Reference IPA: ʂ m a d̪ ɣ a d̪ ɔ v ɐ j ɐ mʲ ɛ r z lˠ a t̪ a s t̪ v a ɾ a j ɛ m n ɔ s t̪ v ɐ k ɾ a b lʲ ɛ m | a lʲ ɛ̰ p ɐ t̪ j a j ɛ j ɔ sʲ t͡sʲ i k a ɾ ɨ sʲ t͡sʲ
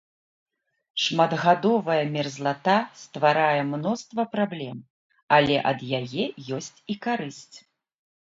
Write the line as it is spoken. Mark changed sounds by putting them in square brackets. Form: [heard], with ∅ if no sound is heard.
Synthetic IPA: ʂ m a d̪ ɣ a d̪ ɔ v ɐ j ɐ mʲ ɛ r z lˠ a t̪ a s t̪ v a ɾ a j ɛ m n ɔ s t̪ v ɐ [p] ɾ a b lʲ ɛ m | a lʲ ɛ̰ [ʔ] ɐ [d̪] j a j ɛ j ɔ sʲ t͡sʲ i k a ɾ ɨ sʲ t͡sʲ